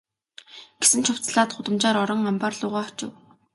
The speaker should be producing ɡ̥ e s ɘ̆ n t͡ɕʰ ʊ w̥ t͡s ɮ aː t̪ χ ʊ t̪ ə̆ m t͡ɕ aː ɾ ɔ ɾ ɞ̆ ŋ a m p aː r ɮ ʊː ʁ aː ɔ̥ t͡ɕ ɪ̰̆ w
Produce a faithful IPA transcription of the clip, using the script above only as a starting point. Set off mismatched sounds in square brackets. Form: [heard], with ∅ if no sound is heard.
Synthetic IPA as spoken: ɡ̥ e s ɘ̆ n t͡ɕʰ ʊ w̥ t͡s ɮ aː t̪ χ ʊ t̪ ə̆ m t͡ɕ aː ɾ ɔ ɾ ɞ̆ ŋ a m p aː r ɮ ʊː ʁ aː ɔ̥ t͡ɕ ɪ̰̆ w